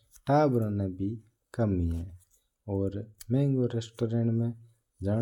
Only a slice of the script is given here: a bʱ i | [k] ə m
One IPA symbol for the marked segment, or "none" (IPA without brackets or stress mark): k